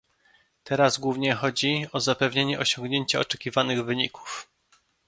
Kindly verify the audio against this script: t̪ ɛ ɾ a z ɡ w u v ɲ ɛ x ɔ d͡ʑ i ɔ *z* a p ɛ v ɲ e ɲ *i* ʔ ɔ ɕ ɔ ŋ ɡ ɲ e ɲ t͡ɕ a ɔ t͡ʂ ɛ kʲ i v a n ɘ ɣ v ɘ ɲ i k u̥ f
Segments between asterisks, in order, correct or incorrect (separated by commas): correct, incorrect